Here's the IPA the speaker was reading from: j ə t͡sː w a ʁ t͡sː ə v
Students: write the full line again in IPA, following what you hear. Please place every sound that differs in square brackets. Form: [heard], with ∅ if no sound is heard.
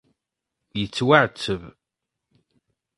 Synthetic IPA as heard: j ə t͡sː w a [ʕ] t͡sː ə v